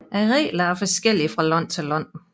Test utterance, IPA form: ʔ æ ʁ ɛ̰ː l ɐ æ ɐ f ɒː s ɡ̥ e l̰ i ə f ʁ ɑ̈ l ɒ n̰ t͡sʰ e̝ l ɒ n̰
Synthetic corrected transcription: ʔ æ ʁ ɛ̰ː l ɐ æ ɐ f ɒ s ɡ̥ e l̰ i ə f ʁ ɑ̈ l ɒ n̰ t͡sʰ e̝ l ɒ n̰

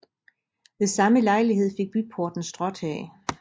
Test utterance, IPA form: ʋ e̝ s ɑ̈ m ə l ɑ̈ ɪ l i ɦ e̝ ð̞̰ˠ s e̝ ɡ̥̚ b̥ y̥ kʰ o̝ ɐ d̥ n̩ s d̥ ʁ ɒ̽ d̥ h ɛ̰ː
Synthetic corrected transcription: ʋ e̝ s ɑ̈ m ə l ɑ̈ ɪ l i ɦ e̝ ð̞̰ˠ f e̝ ɡ̥̚ b̥ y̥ pʰ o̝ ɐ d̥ n̩ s d̥ ʁ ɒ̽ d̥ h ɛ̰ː

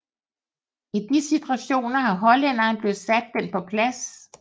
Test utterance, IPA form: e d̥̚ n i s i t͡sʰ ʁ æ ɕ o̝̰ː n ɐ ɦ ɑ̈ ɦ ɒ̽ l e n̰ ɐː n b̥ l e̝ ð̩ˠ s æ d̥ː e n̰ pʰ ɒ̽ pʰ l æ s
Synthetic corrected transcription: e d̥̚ n i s i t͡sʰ ʁ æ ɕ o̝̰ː n ɐ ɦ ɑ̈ ɦ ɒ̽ l e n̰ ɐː n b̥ l e̝ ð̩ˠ s æ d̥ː e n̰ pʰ ɒ̽ pʰ l æ s

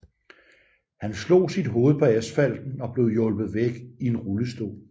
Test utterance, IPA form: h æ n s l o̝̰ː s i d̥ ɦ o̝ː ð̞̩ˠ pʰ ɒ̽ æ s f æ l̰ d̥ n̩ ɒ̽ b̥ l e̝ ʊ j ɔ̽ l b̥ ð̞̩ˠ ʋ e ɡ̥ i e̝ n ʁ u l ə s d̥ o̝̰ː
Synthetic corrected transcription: h æ n s l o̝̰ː s i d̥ ɦ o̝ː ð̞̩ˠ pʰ ɒ̽ æ s f æ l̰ d̥ n̩ ɒ̽ b̥ l e̝ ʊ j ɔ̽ l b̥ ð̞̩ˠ ʋ e ɡ̥ i e̝ n ʁ u l ə s d̥ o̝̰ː

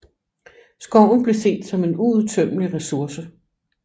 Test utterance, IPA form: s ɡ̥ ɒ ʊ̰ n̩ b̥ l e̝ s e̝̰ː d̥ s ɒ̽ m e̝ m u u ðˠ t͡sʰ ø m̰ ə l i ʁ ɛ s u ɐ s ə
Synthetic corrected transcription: s ɡ̥ ɒ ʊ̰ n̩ b̥ l e̝ s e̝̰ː d̥ s ɒ̽ m e̝ n u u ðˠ t͡sʰ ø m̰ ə l i ʁ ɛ s u ɐ s ə

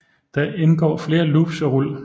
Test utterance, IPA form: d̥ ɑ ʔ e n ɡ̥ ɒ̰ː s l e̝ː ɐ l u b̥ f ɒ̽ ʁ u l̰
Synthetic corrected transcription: d̥ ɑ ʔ e n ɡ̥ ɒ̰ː f l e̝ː ɐ l u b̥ s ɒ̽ ʁ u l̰

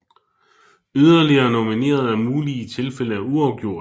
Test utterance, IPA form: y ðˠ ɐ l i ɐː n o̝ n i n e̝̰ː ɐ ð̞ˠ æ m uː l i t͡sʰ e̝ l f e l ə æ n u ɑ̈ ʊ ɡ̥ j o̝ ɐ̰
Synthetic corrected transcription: y ðˠ ɐ l i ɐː n o̝ m i n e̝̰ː ɐ ð̞ˠ æ m uː l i t͡sʰ e̝ l f e l ə æ u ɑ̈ ʊ ɡ̥ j o̝ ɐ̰

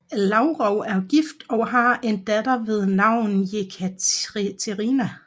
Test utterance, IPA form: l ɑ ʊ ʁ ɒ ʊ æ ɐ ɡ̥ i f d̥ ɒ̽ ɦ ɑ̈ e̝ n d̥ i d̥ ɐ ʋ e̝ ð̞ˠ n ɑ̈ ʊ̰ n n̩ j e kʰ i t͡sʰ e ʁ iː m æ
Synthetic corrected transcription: l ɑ ʊ ʁ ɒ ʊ æ ɐ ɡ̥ i f d̥ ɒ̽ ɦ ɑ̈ e̝ n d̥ æ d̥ ɐ ʋ e̝ ð̞ˠ n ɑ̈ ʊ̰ n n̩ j e kʰ æ t͡sʰ e ʁ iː n æ

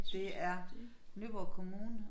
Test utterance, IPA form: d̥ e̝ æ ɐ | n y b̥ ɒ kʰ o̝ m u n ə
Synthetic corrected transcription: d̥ e̝ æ ɐ | n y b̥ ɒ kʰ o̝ m uː n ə

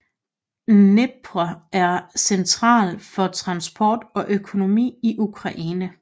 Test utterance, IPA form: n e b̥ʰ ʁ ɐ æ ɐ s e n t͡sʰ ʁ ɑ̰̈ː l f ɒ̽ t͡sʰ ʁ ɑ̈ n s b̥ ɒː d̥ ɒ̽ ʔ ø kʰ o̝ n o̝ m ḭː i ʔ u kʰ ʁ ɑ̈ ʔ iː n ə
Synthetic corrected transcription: n e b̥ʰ ʁ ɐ æ ɐ s e n t͡sʰ ʁ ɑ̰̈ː l f ɒ̽ t͡sʰ ʁ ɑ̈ n s b̥ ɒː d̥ ɒ̽ ʔ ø kʰ o̝ n o̝ m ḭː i ʔ u kʰ ʁ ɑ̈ ʔ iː n ə

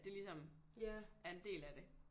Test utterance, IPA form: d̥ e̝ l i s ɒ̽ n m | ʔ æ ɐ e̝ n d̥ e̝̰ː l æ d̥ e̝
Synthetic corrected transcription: d̥ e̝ l i s ɒ̽ m | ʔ æ ɐ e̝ n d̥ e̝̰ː l æ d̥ e̝

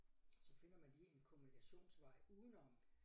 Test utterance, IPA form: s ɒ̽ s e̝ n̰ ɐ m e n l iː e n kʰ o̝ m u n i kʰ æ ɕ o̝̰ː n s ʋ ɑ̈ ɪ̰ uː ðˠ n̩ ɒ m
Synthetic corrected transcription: s ɒ̽ f e̝ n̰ ɐ m æ n l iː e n kʰ o̝ m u n i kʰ æ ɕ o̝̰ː n s ʋ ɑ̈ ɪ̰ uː ðˠ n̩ ɒ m

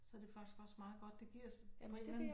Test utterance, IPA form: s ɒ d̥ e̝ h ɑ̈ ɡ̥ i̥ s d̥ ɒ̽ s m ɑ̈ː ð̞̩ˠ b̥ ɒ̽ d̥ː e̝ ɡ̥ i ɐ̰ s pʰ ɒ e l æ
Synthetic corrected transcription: s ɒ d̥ e̝ f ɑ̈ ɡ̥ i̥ s ɡ̥ ɒ̽ s m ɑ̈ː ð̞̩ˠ ɡ̥ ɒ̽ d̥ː e̝ ɡ̥ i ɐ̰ s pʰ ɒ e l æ

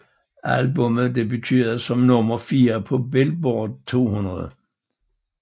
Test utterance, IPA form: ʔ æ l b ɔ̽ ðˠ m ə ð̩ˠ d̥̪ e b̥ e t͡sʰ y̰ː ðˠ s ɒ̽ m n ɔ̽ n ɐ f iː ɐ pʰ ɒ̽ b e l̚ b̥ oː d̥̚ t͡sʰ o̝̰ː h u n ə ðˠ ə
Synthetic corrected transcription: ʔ æ l b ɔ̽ m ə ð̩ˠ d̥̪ e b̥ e t͡sʰ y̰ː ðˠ s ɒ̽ m n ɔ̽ m ɐ f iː ɐ pʰ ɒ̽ b e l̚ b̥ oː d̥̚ t͡sʰ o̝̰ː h u n ɐ ðˠ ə

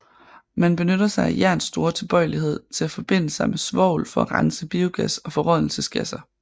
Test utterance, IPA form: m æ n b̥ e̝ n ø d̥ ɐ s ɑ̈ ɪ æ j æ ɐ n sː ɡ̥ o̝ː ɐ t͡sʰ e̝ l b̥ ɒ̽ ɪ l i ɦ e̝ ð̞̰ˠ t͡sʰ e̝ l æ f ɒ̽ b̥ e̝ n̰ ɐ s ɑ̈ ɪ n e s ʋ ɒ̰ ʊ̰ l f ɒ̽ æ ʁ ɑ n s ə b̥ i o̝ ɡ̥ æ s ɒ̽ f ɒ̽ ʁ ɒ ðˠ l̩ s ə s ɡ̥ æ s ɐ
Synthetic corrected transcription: m æ n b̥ e̝ n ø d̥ ɐ s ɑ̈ ɪ æ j æ ɐ n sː d̥ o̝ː ɐ t͡sʰ e̝ l b̥ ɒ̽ ɪ l i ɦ e̝ ð̞̰ˠ t͡sʰ e̝ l æ f ɒ̽ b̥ e̝ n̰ ə s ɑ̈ ɪ m e s ʋ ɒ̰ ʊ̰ l f ɒ̽ æ ʁ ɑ n s ə b̥ i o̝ ɡ̥ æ s ɒ̽ f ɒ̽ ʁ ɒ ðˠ l̩ s ə s ɡ̥ æ s ɐ

